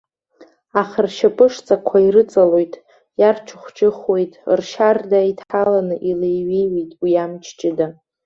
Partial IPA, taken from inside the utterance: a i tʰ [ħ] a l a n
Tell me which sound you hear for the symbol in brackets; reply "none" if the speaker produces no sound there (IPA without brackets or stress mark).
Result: ħ